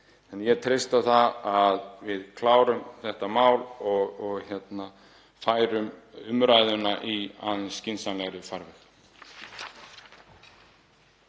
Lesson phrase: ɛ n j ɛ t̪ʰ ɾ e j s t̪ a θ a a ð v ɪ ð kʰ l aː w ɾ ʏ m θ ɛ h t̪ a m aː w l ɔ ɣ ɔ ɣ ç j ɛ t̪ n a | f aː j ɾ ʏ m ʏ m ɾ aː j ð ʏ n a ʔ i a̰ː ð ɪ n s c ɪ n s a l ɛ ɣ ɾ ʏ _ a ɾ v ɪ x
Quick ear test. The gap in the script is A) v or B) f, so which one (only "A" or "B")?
B